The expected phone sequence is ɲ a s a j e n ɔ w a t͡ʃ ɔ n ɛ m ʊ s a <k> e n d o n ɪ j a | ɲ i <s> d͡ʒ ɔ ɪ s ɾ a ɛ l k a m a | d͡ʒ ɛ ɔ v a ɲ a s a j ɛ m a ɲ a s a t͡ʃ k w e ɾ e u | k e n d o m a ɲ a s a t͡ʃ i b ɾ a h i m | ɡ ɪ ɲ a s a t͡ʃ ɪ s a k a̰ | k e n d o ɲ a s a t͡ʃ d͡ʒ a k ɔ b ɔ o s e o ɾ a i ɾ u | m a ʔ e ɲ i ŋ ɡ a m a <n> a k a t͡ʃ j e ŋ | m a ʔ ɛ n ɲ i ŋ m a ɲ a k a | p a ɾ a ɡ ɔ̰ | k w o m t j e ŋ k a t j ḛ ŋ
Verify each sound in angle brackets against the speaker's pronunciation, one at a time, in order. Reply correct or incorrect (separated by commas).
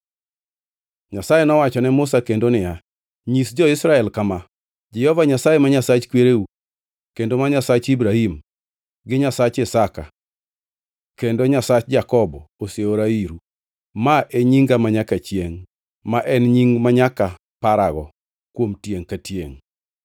correct, correct, incorrect